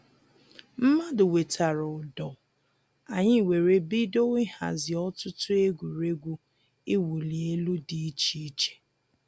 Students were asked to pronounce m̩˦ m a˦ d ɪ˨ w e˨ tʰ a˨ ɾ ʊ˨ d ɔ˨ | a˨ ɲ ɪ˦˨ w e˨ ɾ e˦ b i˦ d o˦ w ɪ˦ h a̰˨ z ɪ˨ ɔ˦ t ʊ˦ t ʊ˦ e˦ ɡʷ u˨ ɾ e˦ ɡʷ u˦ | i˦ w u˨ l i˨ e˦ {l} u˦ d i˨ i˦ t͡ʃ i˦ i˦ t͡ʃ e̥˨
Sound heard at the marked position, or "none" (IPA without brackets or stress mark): l